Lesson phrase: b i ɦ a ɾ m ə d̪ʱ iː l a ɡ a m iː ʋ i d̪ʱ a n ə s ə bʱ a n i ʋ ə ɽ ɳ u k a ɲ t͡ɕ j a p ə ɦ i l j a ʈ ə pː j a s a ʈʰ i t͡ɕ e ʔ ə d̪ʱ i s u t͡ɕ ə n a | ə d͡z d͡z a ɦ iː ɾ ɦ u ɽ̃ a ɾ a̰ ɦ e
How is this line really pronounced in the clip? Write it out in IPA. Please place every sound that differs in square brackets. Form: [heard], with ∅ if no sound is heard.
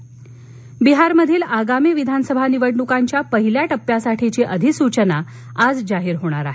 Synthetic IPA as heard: b i ɦ a ɾ m ə d̪ʱ iː l a ɡ a m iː ʋ i d̪ʱ a n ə s ə bʱ a n i ʋ ə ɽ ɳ u k a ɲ t͡ɕ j a p ə ɦ i l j a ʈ ə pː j a s a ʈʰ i t͡ɕ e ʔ ə d̪ʱ i s u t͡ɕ ə n a | [a] d͡z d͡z a ɦ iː ɾ ɦ [o] ɽ̃ a ɾ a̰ ɦ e